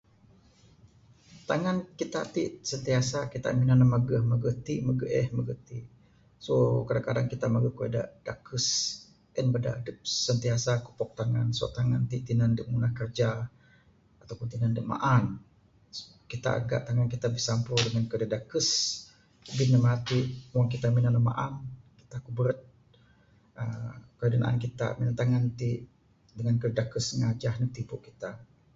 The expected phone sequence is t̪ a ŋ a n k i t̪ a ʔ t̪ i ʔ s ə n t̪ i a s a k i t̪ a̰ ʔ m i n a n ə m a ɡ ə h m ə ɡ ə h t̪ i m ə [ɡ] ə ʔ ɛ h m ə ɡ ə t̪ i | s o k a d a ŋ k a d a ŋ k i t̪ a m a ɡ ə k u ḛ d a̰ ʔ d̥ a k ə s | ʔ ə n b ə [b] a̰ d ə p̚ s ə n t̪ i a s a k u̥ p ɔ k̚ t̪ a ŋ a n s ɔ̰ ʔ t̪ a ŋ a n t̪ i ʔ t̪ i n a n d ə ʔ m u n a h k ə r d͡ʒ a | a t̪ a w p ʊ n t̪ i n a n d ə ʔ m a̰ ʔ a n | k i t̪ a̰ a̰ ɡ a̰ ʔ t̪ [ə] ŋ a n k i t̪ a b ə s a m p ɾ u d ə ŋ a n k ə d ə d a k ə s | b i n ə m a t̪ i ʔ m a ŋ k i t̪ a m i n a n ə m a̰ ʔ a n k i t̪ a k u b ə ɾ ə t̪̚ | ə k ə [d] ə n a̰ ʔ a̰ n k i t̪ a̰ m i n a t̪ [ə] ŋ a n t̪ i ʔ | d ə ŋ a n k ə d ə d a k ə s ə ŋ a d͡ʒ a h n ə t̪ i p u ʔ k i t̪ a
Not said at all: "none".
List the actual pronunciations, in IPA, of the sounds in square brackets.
ɡ, d, a, d, a

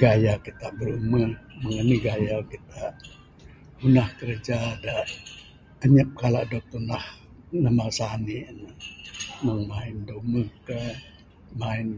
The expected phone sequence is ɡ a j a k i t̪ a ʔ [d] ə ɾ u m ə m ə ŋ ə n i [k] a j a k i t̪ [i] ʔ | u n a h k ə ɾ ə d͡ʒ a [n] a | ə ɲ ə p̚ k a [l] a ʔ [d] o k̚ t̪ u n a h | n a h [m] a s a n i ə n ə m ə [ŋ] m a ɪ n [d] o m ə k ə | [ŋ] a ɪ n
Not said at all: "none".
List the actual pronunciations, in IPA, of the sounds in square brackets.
b, ɡ, a, d, l, d, m, ŋ, d, m

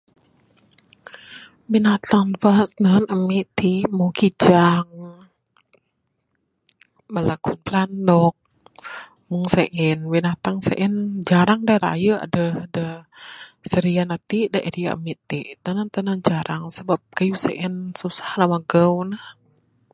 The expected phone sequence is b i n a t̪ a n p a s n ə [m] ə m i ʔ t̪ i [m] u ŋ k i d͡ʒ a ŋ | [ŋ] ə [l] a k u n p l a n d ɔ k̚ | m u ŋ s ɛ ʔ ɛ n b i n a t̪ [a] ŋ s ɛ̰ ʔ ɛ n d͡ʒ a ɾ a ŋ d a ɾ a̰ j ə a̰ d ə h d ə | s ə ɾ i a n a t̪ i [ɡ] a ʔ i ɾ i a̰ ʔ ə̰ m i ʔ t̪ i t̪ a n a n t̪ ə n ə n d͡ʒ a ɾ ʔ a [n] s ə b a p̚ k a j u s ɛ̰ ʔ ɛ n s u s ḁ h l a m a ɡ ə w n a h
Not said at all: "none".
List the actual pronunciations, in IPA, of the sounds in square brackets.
n, m, m, l, a, d, ŋ

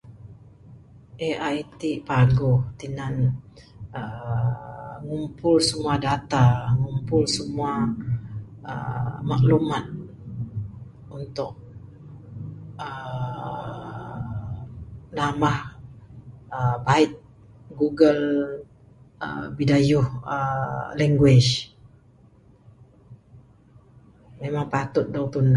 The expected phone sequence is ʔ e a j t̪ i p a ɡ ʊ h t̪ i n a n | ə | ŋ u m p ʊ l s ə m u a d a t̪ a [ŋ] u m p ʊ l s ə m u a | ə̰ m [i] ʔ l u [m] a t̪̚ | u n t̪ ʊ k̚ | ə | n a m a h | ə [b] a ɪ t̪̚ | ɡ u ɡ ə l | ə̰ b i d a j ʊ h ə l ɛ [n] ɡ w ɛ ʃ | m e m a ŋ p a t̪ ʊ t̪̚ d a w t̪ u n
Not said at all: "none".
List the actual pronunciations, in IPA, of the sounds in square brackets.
ŋ, a, m, b, ŋ

